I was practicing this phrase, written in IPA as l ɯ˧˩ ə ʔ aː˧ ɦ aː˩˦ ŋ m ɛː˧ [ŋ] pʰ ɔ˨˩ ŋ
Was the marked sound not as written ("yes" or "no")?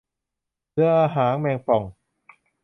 no